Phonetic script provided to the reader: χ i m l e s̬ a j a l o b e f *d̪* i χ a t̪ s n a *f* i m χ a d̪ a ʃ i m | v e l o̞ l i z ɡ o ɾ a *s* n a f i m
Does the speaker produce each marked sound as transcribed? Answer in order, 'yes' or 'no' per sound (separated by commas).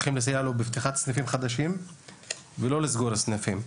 no, yes, yes